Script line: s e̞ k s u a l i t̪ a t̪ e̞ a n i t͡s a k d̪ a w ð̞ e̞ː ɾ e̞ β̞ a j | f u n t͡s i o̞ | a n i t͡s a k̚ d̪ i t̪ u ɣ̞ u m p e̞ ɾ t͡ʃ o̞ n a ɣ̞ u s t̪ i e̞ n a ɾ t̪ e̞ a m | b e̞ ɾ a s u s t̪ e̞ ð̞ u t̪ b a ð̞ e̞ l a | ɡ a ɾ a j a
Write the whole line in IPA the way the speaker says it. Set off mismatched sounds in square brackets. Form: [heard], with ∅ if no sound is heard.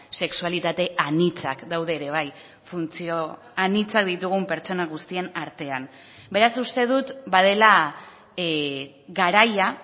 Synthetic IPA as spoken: s e̞ k s u a l i t̪ a t̪ e̞ a n i t͡s a k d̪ a w ð̞ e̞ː ɾ e̞ β̞ a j | f u n t͡s i o̞ | a n i t͡s a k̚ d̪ i t̪ u ɣ̞ u m p e̞ ɾ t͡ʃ o̞ n a ɣ̞ u s t̪ i e̞ n a ɾ t̪ e̞ a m | b e̞ ɾ a s u s t̪ e̞ ð̞ u t̪ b a ð̞ e̞ l a | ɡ a ɾ a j a

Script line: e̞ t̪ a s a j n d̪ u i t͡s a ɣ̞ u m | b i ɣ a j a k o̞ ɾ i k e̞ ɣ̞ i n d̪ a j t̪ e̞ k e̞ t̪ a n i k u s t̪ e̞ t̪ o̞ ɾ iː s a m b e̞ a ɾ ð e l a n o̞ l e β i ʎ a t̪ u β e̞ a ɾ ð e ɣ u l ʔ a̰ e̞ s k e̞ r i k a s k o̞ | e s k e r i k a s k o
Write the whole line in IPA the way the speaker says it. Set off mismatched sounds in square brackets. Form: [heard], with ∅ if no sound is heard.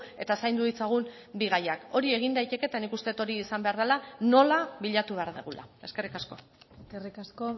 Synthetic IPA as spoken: e̞ t̪ a s a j n d̪ u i t͡s a ɣ̞ u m | b i ɣ a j a k o̞ ɾ i [∅] e̞ ɣ̞ i n d̪ a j t̪ e̞ k e̞ t̪ a n i k u s t̪ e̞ t̪ o̞ ɾ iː s a m b e̞ a ɾ ð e l a n o̞ l [a] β i ʎ a t̪ u β e̞ a ɾ ð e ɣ u l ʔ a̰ e̞ s k e̞ r i k a s k o̞ | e s k e r i k a s k o

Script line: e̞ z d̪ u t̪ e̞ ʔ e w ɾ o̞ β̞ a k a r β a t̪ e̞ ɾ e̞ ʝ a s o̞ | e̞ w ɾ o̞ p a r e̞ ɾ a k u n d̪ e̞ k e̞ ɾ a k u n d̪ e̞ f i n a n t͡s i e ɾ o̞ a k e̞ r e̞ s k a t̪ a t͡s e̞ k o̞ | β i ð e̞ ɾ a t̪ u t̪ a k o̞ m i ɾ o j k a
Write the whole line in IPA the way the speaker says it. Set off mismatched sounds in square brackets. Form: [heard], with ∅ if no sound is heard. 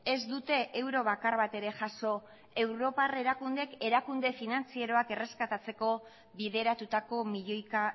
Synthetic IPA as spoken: e̞ z d̪ u t̪ e̞ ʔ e w ɾ o̞ β̞ a k a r β a t̪ e̞ ɾ e̞ ʝ a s o̞ | e̞ w ɾ o̞ p a r e̞ ɾ a k u n d̪ e̞ k e̞ ɾ a k u n d̪ e̞ f i n a n t͡s i e ɾ o̞ a k e̞ r e̞ s k a t̪ a t͡s e̞ k o̞ | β i ð e̞ ɾ a t̪ u t̪ a k o̞ m i [ʎ] o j k a

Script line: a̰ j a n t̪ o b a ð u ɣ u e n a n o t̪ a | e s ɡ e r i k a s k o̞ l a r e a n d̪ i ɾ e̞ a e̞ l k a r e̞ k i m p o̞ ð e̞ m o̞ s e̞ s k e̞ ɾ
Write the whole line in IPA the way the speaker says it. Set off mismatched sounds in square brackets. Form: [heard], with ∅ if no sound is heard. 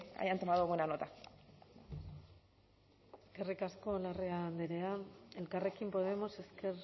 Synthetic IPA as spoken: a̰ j a n t̪ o [m] a ð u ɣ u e n a n o t̪ a | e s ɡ e r i k a s k o̞ l a r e a n d̪ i ɾ e̞ a e̞ l k a r e̞ k i m p o̞ ð e̞ m o̞ s e̞ s k e̞ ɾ

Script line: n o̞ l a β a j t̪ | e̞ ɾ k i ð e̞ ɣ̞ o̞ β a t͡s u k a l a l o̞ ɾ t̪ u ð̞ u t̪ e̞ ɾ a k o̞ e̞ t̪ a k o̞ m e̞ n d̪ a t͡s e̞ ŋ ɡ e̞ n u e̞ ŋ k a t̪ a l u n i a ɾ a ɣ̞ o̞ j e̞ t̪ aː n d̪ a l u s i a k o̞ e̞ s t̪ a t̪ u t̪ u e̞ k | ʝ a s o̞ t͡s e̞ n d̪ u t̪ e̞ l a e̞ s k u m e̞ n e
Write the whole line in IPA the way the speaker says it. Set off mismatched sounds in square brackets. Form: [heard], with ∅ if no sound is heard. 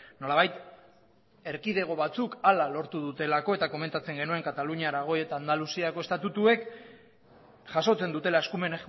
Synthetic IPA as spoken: n o̞ l a β a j t̪ | e̞ ɾ k i ð e̞ ɣ̞ o̞ β a t͡s u k a l a l o̞ ɾ t̪ u ð̞ u t̪ e̞ [l] a k o̞ e̞ t̪ a k o̞ m e̞ n [t̪] a t͡s e̞ ŋ ɡ e̞ n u e̞ ŋ k a t̪ a l u [ɲ] i a ɾ a ɣ̞ o̞ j e̞ t̪ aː n d̪ a l u s i a k o̞ e̞ s t̪ a t̪ u t̪ u e̞ k | ʝ a s o̞ t͡s e̞ n d̪ u t̪ e̞ l a e̞ s k u m e̞ n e

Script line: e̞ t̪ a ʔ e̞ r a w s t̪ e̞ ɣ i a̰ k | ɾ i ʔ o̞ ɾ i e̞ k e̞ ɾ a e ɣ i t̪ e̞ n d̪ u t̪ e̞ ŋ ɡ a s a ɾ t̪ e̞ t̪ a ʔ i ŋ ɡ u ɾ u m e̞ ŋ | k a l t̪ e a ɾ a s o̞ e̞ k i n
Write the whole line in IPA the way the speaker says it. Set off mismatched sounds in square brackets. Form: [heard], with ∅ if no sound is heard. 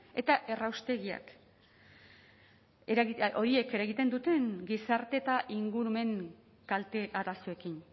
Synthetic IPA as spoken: e̞ t̪ a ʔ e̞ r a w s t̪ e̞ ɣ i a̰ k | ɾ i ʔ o̞ ɾ i e̞ k e̞ ɾ a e ɣ i t̪ e̞ n d̪ u t̪ e̞ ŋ ɡ [i] s a ɾ t̪ e̞ t̪ a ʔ i ŋ ɡ u ɾ u m e̞ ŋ | k a l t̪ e a ɾ a s o̞ e̞ k i n

